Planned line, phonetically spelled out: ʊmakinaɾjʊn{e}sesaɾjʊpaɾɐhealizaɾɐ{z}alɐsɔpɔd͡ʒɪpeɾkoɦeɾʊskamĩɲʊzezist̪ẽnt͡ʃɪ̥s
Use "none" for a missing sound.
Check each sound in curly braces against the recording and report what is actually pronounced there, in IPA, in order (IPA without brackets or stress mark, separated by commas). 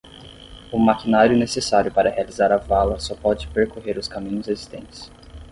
e, v